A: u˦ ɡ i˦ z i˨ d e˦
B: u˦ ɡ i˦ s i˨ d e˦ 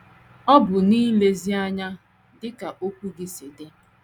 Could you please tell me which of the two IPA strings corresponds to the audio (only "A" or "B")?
B